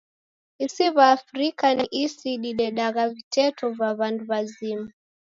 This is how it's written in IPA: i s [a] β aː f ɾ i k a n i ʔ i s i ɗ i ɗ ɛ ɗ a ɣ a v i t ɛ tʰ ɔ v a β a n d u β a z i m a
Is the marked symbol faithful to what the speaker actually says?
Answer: no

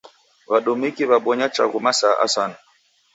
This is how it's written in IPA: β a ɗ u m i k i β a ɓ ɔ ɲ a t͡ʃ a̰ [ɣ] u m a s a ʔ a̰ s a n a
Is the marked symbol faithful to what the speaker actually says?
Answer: yes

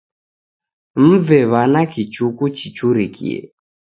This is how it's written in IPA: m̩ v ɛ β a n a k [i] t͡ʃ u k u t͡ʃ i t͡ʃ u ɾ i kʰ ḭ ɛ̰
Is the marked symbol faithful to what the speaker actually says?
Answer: yes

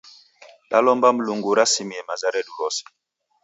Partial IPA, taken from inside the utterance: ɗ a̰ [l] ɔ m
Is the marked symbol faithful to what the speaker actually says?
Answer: yes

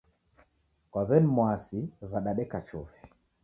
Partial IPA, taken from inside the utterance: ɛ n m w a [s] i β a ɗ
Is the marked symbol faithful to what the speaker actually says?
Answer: yes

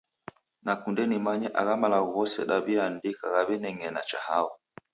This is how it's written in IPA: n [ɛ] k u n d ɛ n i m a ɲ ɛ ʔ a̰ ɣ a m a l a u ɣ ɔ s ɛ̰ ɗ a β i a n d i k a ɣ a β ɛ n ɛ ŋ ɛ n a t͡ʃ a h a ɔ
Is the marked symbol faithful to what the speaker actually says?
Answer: no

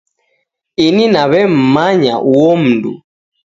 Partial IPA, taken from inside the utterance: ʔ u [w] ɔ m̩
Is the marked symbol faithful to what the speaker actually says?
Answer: yes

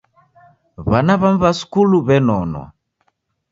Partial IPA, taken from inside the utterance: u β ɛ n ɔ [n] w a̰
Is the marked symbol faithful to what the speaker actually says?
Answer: yes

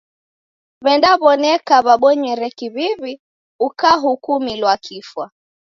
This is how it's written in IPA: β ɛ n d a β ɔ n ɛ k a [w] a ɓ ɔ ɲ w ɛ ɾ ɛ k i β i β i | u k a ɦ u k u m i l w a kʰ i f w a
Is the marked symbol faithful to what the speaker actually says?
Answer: no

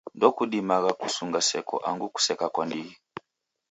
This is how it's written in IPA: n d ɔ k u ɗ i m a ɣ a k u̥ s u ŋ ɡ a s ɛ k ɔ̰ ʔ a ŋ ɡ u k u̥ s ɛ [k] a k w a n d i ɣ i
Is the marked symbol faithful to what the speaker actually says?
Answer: yes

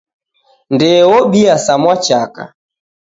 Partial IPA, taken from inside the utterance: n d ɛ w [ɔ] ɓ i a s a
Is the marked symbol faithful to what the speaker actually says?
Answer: yes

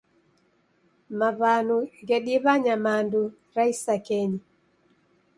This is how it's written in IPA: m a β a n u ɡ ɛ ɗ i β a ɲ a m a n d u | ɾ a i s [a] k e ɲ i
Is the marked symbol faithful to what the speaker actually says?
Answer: yes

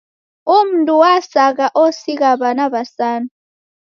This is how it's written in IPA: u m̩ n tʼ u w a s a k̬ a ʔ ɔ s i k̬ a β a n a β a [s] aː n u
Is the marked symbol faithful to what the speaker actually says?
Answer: yes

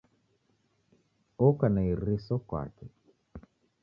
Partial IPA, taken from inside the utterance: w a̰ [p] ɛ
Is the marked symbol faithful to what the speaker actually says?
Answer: no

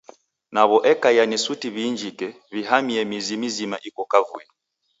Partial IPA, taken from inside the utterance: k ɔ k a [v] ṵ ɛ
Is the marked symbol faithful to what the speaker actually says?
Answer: yes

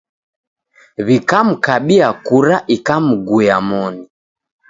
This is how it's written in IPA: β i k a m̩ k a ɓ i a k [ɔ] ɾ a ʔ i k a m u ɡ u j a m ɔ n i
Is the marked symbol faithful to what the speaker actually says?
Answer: no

